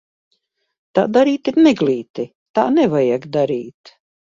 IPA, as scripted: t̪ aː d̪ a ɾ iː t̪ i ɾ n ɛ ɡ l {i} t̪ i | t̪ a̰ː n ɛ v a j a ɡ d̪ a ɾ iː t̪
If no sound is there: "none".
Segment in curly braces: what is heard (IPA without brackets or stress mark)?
iː